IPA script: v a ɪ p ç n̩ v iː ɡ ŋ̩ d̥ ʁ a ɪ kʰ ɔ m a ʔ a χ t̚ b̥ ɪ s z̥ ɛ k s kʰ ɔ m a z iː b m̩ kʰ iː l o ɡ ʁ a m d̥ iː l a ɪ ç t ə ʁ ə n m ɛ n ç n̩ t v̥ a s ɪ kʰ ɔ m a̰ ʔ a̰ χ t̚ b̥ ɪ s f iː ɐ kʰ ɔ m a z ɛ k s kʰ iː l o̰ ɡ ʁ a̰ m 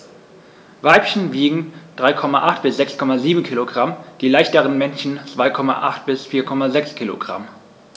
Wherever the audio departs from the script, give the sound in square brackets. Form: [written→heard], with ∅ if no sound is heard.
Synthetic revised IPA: v a ɪ p ç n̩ v iː ɡ ŋ̩ d̥ ʁ a ɪ kʰ ɔ m a ʔ a χ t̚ b̥ ɪ s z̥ ɛ k s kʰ ɔ m a z iː b m̩ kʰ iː l o ɡ ʁ a m d̥ iː l a ɪ ç t ə ʁ ə n m ɛ n ç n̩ [t→t͡s] v̥ a [s→∅] ɪ kʰ ɔ m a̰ ʔ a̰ χ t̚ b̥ ɪ s f iː ɐ kʰ ɔ m a z ɛ k s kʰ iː l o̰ ɡ ʁ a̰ m